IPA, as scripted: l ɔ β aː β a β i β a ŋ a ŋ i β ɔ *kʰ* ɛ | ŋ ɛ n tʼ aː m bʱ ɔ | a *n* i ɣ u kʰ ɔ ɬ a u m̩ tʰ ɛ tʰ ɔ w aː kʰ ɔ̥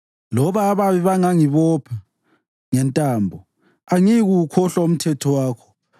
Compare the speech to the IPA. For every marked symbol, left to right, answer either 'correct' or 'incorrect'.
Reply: incorrect: pʰ, incorrect: ŋ

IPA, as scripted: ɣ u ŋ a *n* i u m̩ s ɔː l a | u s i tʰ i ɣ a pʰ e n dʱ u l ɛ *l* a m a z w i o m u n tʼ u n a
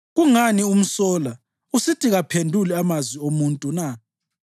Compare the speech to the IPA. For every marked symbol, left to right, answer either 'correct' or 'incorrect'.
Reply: correct, incorrect: none

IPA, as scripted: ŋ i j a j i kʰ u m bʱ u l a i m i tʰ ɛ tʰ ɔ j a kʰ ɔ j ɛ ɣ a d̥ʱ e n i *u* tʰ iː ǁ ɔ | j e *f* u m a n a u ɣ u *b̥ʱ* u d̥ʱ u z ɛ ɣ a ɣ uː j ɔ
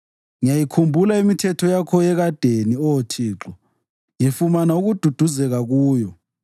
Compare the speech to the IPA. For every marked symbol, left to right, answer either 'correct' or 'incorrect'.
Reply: incorrect: ɔ, correct, incorrect: d̥ʱ

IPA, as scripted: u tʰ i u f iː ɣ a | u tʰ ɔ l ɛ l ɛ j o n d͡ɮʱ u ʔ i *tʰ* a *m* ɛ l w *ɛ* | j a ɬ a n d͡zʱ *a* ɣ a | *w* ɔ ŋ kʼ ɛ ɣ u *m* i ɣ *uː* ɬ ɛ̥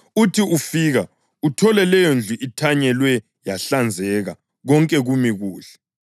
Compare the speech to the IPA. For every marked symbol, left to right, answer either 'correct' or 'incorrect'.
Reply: correct, incorrect: ɲ, correct, incorrect: ɛ, incorrect: ɣ, correct, correct

